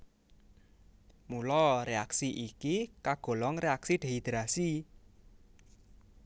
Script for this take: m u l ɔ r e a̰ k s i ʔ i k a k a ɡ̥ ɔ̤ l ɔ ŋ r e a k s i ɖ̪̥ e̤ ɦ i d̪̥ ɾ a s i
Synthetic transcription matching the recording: m u l ɔ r e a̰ k s i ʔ i k i k a ɡ̥ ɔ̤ l ɔ ŋ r e a k s i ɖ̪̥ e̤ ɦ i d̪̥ ɾ a s i